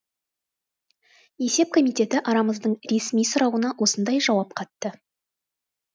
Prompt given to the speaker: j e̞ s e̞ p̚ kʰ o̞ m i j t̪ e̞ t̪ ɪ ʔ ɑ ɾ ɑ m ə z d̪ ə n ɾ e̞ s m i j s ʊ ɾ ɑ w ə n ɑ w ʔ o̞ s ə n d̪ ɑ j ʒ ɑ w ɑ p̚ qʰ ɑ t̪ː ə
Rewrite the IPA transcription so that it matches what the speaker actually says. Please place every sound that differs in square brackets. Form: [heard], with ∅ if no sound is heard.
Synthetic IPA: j e̞ s e̞ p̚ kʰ o̞ m i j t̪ e̞ t̪ ɪ ʔ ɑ ɾ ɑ m ə z d̪ ə [ɴ] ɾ e̞ s m i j s ʊ ɾ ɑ w ə n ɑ w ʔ o̞ s ə n d̪ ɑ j ʒ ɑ w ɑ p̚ qʰ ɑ t̪ː ə